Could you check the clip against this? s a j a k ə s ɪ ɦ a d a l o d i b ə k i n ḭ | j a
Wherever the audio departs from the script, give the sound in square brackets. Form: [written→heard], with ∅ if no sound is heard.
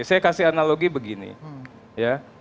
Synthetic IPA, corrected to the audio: s a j a k [ə→a] s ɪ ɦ a [d→n] a l o [d→ɡ] i b ə [k→ɡ] i n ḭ | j a